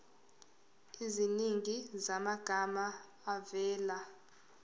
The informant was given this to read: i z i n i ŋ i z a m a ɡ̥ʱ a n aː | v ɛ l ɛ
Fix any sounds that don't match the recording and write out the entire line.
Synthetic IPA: i z i n i ŋ i z a m a ɡ̥ʱ a m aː | v ɛː l a